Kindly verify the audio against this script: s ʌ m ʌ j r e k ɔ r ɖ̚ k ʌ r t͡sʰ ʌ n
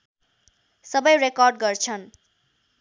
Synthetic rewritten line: s ʌ b ʌ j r e k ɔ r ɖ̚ ɡ ʌ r t͡sʰ ʌ n